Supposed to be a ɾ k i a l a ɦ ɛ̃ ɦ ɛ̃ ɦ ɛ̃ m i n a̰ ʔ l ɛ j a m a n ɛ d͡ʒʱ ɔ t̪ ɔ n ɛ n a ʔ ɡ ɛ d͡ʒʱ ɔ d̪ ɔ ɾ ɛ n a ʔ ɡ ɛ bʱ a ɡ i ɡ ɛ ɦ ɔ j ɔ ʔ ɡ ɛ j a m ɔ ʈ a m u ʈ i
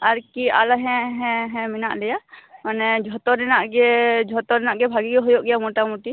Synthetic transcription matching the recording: a ɾ k i a l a ɦ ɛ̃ ɦ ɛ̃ ɦ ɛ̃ m i n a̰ ʔ l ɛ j a m a n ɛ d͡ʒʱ ɔ t̪ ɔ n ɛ n a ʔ ɡ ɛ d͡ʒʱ ɔ t̪ ɔ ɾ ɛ n a ʔ ɡ ɛ bʱ a ɡ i ɡ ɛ ɦ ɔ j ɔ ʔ ɡ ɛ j a m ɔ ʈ a m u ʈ i

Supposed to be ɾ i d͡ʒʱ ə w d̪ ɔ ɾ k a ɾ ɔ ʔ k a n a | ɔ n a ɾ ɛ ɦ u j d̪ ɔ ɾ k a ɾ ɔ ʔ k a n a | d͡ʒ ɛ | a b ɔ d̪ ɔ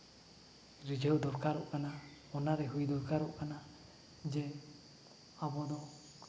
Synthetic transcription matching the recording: ɾ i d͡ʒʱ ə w d̪ ɔ ɾ k a ɾ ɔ ʔ k a n a | ɔ n a ɾ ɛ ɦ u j d̪ ɔ ɾ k a ɾ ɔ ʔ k a n a | d͡ʒ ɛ | a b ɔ d̪ ɔ

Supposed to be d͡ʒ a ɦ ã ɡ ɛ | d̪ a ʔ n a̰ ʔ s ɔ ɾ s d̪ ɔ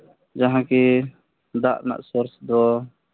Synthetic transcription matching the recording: d͡ʒ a ɦ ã k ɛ | d̪ a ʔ n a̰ ʔ s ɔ ɾ s d̪ ɔ

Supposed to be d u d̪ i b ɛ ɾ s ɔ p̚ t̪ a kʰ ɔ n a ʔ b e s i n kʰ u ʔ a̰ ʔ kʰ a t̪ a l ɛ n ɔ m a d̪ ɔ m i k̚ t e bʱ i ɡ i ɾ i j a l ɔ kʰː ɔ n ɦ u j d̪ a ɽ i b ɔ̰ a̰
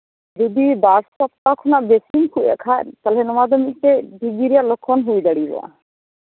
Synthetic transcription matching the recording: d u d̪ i b a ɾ s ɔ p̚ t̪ a kʰ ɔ n a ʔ b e s i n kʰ u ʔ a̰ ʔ kʰ a t̪ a l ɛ n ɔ m a d̪ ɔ m i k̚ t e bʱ i ɡ i ɾ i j a l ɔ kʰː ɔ n ɦ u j d̪ a ɽ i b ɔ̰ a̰

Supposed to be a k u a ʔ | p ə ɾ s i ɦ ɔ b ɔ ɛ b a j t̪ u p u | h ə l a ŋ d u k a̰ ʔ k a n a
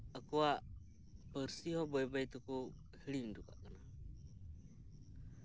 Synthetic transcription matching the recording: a k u a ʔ | p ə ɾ s i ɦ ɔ b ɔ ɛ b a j t̪ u k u | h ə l i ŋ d u k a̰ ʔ k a n a

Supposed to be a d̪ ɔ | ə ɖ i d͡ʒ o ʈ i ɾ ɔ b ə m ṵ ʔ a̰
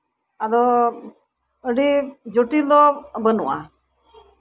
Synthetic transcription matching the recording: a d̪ ɔ | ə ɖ i d͡ʒ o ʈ i l ɔ b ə n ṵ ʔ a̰

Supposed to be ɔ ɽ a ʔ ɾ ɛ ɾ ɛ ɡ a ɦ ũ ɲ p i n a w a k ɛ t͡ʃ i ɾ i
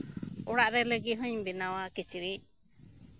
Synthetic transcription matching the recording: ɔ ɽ a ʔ ɾ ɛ l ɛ ɡ i ɦ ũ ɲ b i n a w a k i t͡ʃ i ɾ i

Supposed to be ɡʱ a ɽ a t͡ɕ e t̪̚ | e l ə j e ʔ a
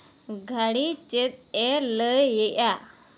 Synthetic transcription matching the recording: ɡʱ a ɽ i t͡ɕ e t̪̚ | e l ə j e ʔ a

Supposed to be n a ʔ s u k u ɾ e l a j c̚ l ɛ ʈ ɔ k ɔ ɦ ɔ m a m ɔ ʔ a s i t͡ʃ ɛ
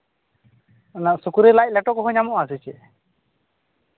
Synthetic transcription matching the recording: n a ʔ s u k u ɾ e l a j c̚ l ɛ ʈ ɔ k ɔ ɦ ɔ ɲ a m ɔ ʔ a s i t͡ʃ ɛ

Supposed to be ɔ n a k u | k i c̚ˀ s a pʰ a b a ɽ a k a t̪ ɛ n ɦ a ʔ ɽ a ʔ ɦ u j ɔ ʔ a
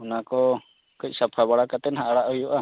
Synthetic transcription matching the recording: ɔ n a k ɔ | k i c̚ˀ s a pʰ a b a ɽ a k a t̪ ɛ n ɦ a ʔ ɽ a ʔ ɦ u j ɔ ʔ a

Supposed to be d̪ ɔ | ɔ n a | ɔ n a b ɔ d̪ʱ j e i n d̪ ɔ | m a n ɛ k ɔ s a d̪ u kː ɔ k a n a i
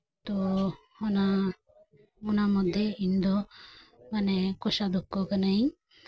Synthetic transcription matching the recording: t̪ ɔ | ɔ n a | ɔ n a m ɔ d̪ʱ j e i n d̪ ɔ | m a n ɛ k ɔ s a d̪ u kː ɔ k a n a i

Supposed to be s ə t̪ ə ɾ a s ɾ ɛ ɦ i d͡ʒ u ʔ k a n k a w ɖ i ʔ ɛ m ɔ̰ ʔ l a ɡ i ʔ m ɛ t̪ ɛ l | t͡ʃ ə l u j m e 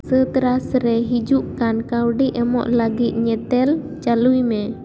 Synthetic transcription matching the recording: s ə t̪ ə ɾ a s ɾ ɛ ɦ i d͡ʒ u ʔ k a n k a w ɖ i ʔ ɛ m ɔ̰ ʔ l a ɡ i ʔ ɲ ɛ t̪ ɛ l | t͡ʃ a l u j m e

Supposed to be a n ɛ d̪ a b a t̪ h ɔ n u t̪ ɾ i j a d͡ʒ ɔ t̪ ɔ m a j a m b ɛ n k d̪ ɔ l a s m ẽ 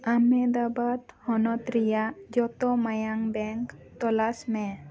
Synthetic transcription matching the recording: a m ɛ d̪ a b a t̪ h ɔ n ɔ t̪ ɾ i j a d͡ʒ ɔ t̪ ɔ m a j a ŋ b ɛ ŋ k t̪ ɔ l a s m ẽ

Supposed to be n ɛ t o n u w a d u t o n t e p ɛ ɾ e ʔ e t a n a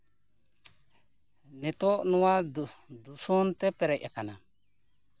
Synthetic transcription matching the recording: n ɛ t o n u w a d u s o n t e p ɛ ɾ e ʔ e k a n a

